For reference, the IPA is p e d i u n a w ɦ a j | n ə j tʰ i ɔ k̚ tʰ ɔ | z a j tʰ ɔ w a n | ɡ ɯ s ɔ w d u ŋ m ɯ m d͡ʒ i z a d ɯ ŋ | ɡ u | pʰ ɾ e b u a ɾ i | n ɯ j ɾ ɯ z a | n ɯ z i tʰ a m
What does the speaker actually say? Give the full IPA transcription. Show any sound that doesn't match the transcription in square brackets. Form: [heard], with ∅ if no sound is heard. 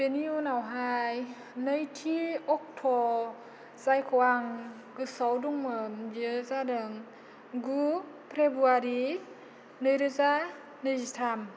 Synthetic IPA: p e [n] i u n a w ɦ a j | n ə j tʰ i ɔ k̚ tʰ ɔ | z a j [kʰ] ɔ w a [ŋ] | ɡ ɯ s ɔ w d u ŋ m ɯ m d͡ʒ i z a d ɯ ŋ | ɡ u | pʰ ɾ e b u a ɾ i | n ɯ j ɾ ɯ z a | n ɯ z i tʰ a m